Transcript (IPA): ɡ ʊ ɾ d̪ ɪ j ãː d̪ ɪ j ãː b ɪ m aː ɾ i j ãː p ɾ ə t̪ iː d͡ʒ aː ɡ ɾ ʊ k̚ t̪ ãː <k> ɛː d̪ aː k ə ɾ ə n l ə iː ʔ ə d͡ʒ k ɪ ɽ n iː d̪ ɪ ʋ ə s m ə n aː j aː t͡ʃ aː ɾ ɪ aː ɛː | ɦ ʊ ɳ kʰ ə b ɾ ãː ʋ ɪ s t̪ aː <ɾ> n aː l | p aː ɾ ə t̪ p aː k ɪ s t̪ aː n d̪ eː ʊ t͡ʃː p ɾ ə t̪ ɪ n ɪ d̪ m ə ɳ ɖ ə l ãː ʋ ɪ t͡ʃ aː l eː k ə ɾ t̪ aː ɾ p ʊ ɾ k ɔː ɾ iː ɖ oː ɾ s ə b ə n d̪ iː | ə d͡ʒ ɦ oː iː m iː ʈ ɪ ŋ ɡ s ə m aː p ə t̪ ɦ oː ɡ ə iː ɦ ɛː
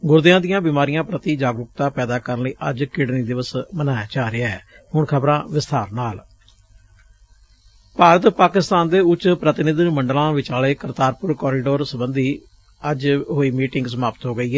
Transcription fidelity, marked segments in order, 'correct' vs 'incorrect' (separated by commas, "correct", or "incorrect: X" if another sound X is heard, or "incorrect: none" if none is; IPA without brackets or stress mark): incorrect: p, correct